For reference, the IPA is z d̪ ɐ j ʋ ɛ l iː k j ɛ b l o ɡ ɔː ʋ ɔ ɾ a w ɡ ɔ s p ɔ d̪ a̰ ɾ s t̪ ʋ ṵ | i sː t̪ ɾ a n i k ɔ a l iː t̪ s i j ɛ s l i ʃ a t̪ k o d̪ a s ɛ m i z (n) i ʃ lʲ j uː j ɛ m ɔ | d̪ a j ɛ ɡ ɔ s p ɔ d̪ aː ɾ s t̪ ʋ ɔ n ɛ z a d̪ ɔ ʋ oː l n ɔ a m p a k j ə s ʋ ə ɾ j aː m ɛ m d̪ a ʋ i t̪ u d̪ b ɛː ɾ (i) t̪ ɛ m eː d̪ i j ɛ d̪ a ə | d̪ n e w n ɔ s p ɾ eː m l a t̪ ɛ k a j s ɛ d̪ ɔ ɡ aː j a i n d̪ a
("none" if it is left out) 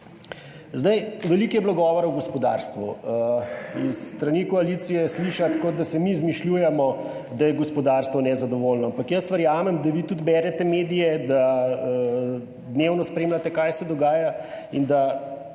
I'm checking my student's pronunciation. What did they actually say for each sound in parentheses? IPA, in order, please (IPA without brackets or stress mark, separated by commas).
m, ɛ